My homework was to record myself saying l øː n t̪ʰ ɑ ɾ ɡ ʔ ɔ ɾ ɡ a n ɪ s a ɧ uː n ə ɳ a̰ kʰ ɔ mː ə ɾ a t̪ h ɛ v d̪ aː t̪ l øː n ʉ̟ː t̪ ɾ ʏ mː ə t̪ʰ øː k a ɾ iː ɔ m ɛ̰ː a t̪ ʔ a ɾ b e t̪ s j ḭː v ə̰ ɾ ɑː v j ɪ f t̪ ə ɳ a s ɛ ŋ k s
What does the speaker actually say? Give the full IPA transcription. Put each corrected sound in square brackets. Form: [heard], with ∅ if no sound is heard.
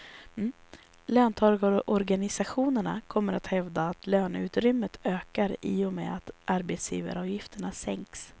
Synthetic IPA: l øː n t̪ʰ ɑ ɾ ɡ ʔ ɔ ɾ ɡ a n ɪ s a ɧ uː n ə ɳ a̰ kʰ ɔ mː ə ɾ a t̪ h ɛ v d̪ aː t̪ l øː n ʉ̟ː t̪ ɾ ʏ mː ə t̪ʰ øː k a ɾ iː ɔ m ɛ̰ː a t̪ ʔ a ɾ b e t̪ s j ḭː v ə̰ ɾ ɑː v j ɪ f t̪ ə ɳ a s ɛ ŋ k s